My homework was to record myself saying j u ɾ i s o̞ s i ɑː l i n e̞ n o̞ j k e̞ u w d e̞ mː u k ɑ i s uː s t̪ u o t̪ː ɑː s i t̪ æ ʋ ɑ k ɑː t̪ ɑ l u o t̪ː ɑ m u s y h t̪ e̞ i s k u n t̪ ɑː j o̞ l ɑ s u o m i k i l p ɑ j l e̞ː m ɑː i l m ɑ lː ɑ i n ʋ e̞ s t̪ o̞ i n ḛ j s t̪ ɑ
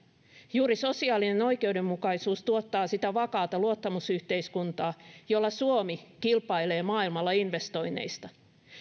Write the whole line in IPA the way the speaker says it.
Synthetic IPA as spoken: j uː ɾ i s o̞ s i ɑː l i n e̞ n o̞ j k e̞ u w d e̞ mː u k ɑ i s uː s t̪ u o t̪ː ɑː s i t̪ æ ʋ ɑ k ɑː t̪ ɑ l u o t̪ː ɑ m u s y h t̪ e̞ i s k u n t̪ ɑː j o̞ lː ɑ s u o m i k i l p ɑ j l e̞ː m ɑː i l m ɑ lː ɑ i n ʋ e̞ s t̪ o̞ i n ḛ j s t̪ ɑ